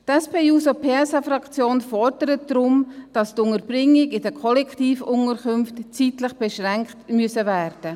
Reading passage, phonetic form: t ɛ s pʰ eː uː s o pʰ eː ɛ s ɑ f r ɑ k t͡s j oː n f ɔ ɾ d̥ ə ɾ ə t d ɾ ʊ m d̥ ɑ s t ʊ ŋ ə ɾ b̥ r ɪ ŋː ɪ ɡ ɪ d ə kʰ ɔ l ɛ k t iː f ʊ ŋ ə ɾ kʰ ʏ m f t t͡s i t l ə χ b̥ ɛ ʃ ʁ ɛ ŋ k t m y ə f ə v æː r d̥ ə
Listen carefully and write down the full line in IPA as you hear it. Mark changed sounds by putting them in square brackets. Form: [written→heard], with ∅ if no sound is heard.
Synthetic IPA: t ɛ s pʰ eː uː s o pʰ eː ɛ s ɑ f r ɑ k t͡s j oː n f ɔ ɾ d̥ ə ɾ ə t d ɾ ʊ m d̥ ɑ s t ʊ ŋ ə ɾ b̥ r ɪ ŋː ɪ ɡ ɪ d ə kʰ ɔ l ɛ k t iː f ʊ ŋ ə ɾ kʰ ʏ m f t t͡s i t l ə χ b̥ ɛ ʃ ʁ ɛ ŋ k t m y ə [f→s] ə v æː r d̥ ə

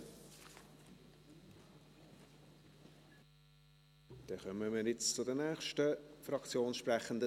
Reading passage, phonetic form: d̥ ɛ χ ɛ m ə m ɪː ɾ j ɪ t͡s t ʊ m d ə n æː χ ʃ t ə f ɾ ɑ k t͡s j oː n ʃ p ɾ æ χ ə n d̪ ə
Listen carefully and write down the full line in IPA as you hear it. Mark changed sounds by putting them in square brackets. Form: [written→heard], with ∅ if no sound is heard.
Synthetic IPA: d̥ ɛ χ [ɛ→œ] m ə m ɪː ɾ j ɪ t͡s [t→t͡s] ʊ [m→∅] d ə n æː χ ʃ t ə f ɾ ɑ k t͡s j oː n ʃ p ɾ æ χ ə n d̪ ə

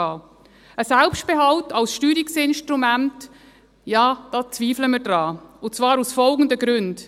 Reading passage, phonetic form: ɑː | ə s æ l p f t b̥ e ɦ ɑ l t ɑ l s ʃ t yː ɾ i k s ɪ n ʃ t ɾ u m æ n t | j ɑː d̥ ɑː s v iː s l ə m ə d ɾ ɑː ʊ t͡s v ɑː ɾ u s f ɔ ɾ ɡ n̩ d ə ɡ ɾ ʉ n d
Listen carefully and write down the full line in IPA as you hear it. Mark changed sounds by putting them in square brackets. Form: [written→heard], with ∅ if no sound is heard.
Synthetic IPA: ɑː | ə s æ l p [f→ʃ] t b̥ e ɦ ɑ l t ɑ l s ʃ t yː ɾ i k s ɪ n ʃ t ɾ u m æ n t | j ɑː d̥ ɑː [s→t͡s] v iː [s→f] l ə m ə d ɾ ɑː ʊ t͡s v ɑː ɾ u s f ɔ [ɾ→l] ɡ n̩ d ə ɡ ɾ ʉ n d

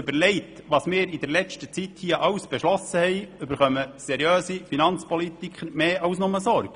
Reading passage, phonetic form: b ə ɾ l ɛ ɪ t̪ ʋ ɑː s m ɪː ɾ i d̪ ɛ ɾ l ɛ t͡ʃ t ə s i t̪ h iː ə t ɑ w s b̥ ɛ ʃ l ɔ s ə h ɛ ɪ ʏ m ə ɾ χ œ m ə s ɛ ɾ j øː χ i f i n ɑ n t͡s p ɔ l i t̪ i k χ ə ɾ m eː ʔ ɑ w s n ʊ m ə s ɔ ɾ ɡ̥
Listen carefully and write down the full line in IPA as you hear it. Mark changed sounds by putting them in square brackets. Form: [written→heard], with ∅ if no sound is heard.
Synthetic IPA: b ə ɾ l ɛ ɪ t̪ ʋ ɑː s m ɪː ɾ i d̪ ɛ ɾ l ɛ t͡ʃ t ə [s→t͡s] i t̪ h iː ə [t→ʔ] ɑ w s b̥ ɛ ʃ l ɔ s ə h ɛ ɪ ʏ [m→b] ə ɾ χ œ m ə s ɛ ɾ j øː [χ→s] i f i n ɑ n t͡s p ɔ l i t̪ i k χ ə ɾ m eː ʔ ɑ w s n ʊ m ə s ɔ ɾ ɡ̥

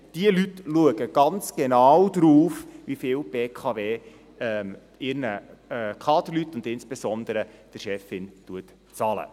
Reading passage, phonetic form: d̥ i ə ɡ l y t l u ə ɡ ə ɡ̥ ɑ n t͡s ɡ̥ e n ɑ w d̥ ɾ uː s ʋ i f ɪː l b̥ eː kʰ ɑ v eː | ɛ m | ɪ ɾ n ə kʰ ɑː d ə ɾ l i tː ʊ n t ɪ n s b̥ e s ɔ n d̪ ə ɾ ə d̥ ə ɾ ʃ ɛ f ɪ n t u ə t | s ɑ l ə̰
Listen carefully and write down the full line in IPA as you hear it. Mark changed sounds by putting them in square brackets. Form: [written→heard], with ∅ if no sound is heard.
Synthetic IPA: d̥ i ə [ɡ→∅] l y t l u ə ɡ ə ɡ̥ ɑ n t͡s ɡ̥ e n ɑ w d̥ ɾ uː [s→f] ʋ i f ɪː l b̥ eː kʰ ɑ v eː | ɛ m | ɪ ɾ n ə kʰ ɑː d ə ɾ l [i→y] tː ʊ n [t→d] ɪ n s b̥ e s ɔ n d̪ ə ɾ ə d̥ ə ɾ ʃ ɛ f ɪ n t u ə t | [s→t͡s] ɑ l ə̰

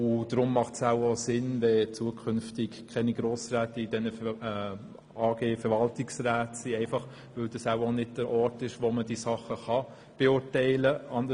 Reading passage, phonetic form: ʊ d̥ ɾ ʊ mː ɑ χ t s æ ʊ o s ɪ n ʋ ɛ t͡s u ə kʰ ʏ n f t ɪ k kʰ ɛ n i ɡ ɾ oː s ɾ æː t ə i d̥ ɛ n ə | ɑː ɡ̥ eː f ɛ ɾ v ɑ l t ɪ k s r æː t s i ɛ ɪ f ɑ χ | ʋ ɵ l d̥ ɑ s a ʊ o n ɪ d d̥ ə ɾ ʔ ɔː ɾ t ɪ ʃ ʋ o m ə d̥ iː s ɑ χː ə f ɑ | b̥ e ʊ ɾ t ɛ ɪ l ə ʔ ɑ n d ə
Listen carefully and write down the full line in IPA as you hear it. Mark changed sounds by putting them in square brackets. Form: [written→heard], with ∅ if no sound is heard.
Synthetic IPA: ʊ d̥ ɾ ʊ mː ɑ χ t s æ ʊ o s ɪ n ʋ ɛ t͡s u ə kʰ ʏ n f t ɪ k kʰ ɛ n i ɡ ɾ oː s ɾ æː t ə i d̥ ɛ n ə | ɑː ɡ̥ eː f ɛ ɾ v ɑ l t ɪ k s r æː t s i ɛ ɪ f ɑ χ | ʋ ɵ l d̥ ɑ s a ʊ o n ɪ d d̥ ə ɾ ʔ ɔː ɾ t ɪ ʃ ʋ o m ə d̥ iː s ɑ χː ə [f→χ] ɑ | b̥ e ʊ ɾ t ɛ ɪ l ə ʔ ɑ n d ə

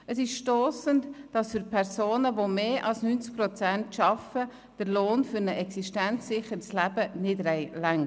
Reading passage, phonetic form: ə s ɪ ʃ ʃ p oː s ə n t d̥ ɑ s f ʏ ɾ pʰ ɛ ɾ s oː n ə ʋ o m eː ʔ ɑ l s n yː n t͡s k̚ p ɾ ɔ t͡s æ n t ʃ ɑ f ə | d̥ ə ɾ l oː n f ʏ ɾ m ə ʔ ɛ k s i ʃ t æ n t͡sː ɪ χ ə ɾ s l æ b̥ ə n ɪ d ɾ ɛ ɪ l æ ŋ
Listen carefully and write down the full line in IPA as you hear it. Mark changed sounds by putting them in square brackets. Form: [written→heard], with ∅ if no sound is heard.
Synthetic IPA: ə s ɪ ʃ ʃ [p→t] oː s ə n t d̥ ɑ s f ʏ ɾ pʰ ɛ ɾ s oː n ə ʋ o m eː ʔ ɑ l s n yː n t͡s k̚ p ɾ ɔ t͡s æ n t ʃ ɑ f ə | d̥ ə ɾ l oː n f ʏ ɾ [m→n] ə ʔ ɛ k s i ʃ t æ n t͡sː ɪ χ ə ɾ s l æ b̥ ə n ɪ d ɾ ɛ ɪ l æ ŋ

